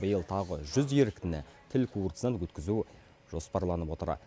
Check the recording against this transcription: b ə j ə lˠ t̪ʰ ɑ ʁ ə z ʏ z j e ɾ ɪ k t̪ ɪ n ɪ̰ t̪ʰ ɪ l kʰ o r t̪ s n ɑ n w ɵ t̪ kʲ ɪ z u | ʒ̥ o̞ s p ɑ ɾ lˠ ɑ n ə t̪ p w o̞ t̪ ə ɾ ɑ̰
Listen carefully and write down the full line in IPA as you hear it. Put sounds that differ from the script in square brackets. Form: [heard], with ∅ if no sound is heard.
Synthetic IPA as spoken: b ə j ə lˠ t̪ʰ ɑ ʁ ə [ʒ] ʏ z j e ɾ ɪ k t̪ ɪ n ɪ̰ t̪ʰ ɪ l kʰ [u] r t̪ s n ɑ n w ɵ t̪ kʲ ɪ z u | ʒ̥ o̞ s p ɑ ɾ lˠ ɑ n ə [∅] p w o̞ t̪ ə ɾ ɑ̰